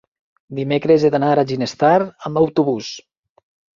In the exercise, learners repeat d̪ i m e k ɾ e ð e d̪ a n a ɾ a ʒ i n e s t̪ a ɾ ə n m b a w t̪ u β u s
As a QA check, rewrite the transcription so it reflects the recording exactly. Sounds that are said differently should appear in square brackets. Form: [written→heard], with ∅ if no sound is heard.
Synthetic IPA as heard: d̪ i m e k ɾ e [ð→z] e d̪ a n a ɾ a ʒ i n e s t̪ a ɾ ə [n→∅] m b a w t̪ u β u s